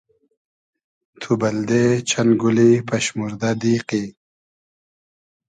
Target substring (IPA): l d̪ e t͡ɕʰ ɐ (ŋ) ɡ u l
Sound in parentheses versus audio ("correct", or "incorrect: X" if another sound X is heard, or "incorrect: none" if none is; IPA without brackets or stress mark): incorrect: n